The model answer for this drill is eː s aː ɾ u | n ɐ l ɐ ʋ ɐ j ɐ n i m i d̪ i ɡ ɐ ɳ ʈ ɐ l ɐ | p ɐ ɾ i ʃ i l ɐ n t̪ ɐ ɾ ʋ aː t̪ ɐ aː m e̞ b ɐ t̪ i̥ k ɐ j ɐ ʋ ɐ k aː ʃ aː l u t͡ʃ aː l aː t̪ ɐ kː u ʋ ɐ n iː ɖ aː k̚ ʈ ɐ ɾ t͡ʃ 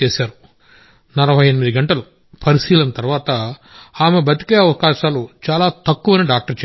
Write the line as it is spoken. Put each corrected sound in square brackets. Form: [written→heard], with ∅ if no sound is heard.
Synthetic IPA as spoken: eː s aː ɾ u | n ɐ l ɐ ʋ ɐ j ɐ n i m i d̪ i ɡ ɐ ɳ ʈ ɐ l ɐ | p ɐ ɾ i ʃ [i→iː] l ɐ n t̪ ɐ ɾ ʋ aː t̪ ɐ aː m e̞ b ɐ t̪ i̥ k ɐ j ɐ ʋ ɐ k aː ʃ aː l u t͡ʃ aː l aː t̪ ɐ kː u ʋ ɐ n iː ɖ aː k̚ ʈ ɐ ɾ t͡ʃ